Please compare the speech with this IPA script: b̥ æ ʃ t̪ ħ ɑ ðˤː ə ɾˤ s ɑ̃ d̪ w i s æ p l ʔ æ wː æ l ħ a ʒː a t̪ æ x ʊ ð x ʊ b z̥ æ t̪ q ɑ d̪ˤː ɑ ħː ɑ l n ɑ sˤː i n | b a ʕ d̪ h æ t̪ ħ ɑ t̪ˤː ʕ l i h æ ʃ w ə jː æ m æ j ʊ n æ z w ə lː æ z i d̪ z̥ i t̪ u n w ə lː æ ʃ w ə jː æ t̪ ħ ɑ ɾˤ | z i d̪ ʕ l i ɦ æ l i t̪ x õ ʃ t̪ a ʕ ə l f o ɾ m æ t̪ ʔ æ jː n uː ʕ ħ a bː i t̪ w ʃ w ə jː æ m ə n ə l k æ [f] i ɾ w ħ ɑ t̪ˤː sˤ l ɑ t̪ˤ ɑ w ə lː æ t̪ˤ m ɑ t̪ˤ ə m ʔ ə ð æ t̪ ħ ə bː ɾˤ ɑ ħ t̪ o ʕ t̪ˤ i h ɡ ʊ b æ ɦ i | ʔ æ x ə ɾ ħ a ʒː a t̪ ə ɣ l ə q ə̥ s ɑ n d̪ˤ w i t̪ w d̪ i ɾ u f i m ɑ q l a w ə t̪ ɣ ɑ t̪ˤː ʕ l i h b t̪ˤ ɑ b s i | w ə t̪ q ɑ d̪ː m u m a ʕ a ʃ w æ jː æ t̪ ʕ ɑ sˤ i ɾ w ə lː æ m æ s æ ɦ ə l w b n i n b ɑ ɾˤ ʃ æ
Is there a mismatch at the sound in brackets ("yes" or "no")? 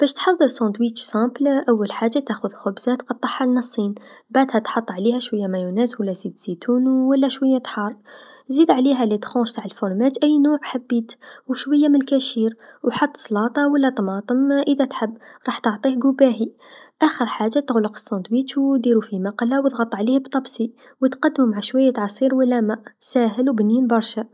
yes